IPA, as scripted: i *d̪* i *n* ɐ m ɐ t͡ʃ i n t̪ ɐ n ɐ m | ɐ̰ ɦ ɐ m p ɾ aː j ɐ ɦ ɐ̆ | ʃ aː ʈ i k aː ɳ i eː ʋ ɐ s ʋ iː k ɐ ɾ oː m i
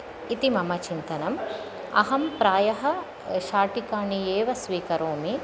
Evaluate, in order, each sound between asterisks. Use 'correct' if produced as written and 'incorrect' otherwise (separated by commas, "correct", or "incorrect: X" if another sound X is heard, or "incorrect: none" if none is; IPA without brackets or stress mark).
incorrect: t̪, incorrect: m